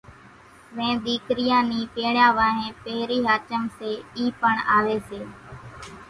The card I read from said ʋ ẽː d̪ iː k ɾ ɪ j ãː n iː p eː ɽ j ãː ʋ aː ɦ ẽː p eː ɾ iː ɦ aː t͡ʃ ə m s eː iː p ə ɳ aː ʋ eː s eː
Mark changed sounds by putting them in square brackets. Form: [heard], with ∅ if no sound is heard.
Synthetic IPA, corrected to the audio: ʋ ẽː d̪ iː k ɾ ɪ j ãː n iː p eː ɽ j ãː ʋ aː ɦ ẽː p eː ɾ iː ɦ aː t͡ʃ ə m s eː iː p ə ɳ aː ʋ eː s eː